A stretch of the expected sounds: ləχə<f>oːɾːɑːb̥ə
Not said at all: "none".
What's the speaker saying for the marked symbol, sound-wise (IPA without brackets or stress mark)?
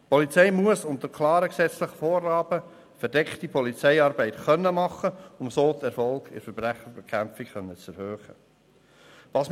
f